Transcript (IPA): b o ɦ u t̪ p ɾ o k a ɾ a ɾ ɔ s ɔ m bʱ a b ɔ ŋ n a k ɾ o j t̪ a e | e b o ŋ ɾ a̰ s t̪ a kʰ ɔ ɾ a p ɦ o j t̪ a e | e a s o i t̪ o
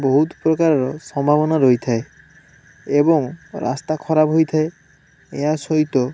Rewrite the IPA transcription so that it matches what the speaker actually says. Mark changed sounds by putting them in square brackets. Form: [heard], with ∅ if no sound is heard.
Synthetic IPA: b o ɦ u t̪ p ɾ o k a ɾ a ɾ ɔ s ɔ m bʱ a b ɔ [∅] n a [∅] ɾ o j [t̪ʰ] a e | e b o ŋ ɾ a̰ s t̪ a kʰ ɔ ɾ a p ɦ o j [t̪ʰ] a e | e a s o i t̪ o